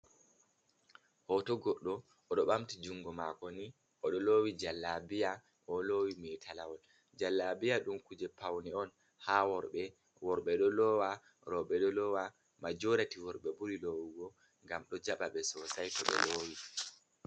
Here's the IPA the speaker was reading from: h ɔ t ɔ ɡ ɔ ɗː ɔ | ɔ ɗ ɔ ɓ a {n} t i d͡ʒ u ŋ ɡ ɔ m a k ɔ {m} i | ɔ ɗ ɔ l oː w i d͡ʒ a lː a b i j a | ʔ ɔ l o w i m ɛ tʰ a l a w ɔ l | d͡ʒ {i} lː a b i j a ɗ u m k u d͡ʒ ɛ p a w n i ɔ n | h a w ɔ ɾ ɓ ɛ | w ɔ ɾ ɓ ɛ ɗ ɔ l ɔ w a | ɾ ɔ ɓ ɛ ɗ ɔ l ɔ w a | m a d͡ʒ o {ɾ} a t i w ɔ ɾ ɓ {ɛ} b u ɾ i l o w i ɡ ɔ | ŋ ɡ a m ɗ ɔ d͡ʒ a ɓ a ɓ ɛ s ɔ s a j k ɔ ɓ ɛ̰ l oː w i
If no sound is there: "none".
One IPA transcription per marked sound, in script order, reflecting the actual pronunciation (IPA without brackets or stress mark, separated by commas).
m, n, a, ɾ, ɛ